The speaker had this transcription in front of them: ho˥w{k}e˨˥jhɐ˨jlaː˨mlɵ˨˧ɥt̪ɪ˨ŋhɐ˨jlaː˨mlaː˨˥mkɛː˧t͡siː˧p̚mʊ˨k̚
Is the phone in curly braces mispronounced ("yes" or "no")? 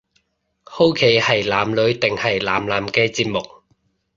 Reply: yes